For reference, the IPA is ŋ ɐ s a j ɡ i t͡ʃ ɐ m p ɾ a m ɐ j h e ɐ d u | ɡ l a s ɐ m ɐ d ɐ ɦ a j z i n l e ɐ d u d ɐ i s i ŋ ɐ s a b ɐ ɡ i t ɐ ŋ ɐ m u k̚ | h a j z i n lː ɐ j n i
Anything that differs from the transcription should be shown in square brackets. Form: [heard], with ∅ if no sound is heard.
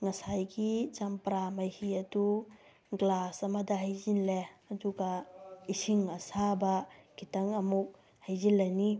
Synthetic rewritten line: ŋ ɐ s a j ɡ i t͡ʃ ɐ m p ɾ a m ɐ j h [i] ɐ d u | ɡ l a s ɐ m ɐ d ɐ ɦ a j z i n l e ɐ d u [ɡ] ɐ i s i ŋ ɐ s a b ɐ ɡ i t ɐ ŋ ɐ m u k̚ | h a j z i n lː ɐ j n i